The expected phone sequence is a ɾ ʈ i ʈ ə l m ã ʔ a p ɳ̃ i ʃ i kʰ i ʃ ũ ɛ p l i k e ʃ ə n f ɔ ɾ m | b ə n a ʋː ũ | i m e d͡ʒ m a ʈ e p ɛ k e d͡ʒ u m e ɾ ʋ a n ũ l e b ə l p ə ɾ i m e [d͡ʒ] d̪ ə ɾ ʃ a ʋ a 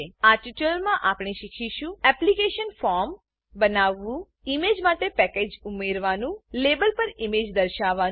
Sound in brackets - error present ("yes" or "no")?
no